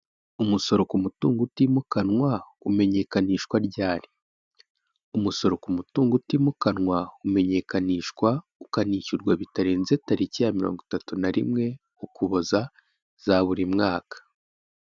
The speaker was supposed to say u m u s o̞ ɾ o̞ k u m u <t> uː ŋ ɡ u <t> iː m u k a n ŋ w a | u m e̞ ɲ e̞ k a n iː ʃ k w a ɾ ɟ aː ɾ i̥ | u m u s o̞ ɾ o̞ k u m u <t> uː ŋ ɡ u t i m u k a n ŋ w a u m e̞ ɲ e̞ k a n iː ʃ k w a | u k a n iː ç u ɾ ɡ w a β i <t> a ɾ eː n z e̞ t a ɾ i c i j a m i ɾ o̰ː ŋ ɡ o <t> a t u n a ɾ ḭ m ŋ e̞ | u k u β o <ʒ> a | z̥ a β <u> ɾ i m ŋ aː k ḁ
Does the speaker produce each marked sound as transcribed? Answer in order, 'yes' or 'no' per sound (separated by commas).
yes, yes, yes, yes, yes, no, yes